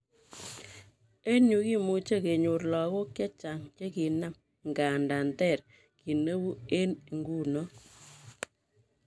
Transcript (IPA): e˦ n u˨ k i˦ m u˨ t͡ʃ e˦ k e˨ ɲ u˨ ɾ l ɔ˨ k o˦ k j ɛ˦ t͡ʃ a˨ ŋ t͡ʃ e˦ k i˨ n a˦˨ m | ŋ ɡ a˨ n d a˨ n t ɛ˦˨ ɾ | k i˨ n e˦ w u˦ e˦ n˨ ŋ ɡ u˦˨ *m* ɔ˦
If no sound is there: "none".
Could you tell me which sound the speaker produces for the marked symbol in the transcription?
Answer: n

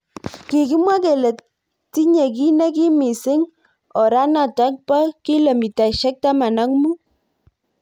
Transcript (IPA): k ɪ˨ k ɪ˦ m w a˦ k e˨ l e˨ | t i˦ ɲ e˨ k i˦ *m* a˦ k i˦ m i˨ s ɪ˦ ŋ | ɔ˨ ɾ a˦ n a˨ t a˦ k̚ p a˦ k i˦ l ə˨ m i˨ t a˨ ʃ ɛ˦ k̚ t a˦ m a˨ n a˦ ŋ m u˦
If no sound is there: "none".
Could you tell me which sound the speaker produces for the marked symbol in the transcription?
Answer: n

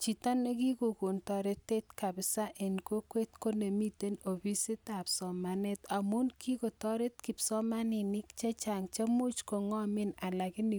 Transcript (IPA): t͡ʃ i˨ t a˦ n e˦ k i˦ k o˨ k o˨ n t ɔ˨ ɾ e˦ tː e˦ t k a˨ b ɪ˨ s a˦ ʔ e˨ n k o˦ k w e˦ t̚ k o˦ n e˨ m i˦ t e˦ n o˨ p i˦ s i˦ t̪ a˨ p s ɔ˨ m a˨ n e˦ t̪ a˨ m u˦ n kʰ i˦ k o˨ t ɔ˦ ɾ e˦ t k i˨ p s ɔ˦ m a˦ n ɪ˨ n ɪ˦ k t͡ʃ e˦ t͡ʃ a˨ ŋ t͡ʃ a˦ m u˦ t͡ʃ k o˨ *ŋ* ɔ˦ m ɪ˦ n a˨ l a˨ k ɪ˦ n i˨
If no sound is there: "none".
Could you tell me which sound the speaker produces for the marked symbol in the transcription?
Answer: ŋ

